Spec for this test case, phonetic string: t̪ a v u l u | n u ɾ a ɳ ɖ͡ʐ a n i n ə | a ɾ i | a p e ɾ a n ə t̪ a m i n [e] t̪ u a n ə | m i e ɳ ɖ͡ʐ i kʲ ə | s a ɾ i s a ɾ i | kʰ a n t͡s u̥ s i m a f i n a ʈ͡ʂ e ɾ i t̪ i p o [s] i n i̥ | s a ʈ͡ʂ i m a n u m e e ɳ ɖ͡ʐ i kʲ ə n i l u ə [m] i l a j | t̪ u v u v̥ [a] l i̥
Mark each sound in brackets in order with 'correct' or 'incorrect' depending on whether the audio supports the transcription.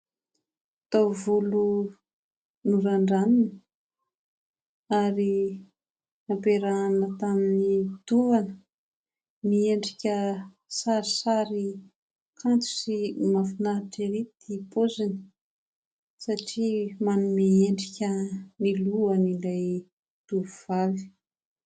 incorrect: i, incorrect: z, incorrect: n, correct

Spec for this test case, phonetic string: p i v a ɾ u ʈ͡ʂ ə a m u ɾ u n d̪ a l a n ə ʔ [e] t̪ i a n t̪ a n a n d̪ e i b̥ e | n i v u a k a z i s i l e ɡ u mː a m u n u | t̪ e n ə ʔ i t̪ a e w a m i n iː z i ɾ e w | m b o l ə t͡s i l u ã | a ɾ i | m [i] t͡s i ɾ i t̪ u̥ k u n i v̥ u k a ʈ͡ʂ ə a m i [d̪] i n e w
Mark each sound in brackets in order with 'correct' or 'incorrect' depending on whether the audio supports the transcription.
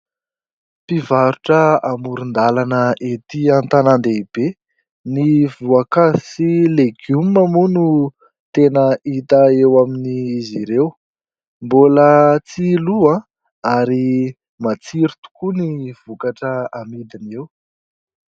correct, incorrect: a, correct

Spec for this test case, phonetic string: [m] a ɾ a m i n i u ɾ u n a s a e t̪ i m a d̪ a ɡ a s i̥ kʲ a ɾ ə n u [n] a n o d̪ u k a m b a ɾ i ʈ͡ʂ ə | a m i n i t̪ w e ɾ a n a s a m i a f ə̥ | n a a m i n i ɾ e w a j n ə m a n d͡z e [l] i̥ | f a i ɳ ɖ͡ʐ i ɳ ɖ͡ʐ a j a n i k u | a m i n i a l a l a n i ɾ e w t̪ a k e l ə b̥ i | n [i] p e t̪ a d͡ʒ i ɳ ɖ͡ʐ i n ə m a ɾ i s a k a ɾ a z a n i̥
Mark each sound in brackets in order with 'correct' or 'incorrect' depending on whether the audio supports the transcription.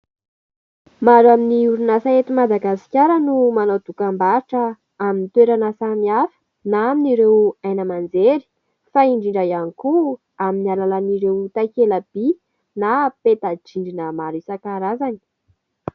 correct, incorrect: m, incorrect: ɾ, incorrect: a

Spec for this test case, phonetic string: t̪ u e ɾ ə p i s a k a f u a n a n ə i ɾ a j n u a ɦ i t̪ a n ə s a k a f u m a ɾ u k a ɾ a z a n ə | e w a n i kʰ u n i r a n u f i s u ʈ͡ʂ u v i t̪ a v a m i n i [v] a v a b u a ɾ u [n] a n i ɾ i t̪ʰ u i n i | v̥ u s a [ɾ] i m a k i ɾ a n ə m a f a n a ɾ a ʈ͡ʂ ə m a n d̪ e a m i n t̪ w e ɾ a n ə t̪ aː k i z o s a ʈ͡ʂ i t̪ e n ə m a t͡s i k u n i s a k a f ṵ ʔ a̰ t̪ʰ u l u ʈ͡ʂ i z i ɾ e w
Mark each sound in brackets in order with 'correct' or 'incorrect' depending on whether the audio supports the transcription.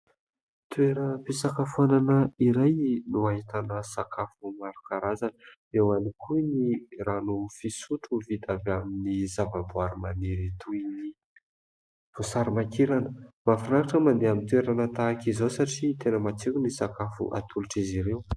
incorrect: z, incorrect: m, correct

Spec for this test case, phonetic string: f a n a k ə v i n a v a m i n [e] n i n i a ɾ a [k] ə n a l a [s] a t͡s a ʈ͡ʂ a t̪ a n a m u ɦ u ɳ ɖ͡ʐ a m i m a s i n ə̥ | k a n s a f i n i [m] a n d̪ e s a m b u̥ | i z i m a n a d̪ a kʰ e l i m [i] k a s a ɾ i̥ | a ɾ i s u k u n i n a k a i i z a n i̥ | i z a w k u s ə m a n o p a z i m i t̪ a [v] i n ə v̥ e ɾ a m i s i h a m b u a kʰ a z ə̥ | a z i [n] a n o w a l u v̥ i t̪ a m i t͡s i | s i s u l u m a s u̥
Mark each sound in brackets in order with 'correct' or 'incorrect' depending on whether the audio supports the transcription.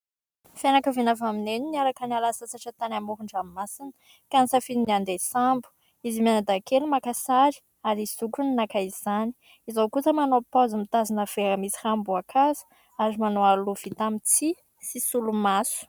correct, correct, correct, incorrect: n, incorrect: a, incorrect: z, incorrect: m

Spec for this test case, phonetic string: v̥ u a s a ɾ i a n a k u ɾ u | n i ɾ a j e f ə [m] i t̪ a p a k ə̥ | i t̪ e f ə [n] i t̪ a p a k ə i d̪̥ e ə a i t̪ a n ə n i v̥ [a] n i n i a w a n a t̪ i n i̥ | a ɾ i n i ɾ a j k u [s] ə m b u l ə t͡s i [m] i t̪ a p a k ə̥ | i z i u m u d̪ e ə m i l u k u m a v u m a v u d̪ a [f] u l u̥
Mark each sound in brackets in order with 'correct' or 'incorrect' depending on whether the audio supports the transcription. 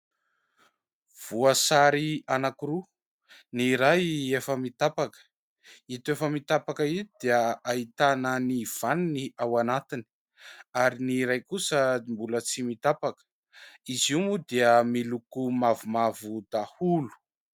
correct, incorrect: m, correct, correct, correct, incorrect: h

